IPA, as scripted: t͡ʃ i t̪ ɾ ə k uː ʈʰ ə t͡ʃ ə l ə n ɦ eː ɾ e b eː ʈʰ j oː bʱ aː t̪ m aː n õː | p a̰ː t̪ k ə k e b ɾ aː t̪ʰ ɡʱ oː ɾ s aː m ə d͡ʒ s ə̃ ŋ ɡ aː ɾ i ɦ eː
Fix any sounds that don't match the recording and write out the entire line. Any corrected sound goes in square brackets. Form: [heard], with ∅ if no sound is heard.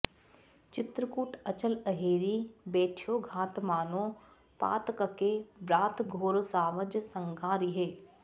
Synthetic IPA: t͡ʃ [ɪ] t̪ ɾ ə k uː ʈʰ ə t͡ʃ ə l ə [∅] ɦ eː ɾ [i] b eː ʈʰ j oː [ɡʱ] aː t̪ m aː n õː | p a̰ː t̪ k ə k e b ɾ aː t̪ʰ ɡʱ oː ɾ s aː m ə d͡ʒ s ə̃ ŋ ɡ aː ɾ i ɦ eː